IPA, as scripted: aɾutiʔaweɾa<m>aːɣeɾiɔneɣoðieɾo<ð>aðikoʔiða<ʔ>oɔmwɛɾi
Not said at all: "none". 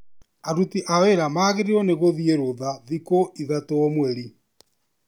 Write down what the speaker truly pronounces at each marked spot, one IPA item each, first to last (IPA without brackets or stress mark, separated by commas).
m, ð, t